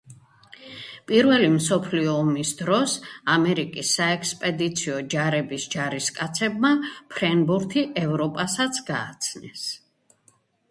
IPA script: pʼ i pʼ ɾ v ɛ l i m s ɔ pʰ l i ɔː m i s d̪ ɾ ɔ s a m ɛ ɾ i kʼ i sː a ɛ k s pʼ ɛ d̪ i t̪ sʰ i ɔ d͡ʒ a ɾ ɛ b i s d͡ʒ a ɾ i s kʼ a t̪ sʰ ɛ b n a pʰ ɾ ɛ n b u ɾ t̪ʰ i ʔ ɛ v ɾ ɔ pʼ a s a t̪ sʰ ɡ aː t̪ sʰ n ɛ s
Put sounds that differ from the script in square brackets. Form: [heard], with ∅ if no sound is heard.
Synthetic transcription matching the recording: pʼ i [∅] ɾ v ɛ l i m s ɔ pʰ l i ɔː m i s d̪ ɾ ɔ s a m ɛ ɾ i kʼ i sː a ɛ k s pʼ ɛ d̪ i t̪ sʰ i ɔ d͡ʒ a ɾ ɛ b i s d͡ʒ a ɾ i s kʼ a t̪ sʰ ɛ b [m] a pʰ ɾ ɛ n b u ɾ t̪ʰ i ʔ ɛ v ɾ ɔ pʼ a s a t̪ sʰ ɡ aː t̪ sʰ n ɛ s